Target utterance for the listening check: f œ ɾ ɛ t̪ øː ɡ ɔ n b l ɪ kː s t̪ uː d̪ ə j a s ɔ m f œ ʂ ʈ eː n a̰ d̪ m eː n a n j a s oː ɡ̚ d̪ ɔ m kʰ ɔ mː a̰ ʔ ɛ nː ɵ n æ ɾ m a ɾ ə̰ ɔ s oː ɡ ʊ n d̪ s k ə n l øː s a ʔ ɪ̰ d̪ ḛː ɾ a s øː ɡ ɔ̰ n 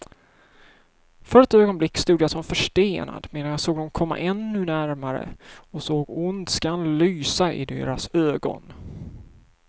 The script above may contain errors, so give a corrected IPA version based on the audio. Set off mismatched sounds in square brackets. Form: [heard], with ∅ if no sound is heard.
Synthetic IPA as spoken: f œ ɾ ɛ t̪ øː ɡ ɔ n b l ɪ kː s t̪ uː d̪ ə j a s ɔ m f œ ʂ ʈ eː n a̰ d̪ m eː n a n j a s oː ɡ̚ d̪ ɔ m kʰ ɔ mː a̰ ʔ ɛ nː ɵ n æ ɾ m a ɾ ə̰ ɔ s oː ɡ ʊ n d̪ s k [a] n l [yː] s a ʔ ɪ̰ d̪ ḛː ɾ a s øː ɡ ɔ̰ n